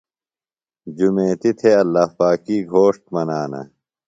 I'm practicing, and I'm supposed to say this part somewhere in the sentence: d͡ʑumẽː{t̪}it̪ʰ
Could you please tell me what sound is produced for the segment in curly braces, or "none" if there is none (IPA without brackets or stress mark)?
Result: t̪